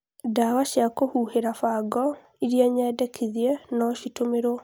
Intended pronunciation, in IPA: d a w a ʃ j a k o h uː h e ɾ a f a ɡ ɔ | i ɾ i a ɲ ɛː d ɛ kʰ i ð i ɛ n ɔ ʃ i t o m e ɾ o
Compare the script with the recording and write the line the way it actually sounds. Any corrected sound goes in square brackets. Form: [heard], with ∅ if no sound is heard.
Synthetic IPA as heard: d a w a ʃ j a k o h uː h e ɾ a f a ɡ ɔ | i ɾ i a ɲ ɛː d ɛ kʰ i ð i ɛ n ɔ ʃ i t o m e ɾ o